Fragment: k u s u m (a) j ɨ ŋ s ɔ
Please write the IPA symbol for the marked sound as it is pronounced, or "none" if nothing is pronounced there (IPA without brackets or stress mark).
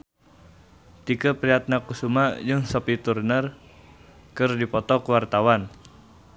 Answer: a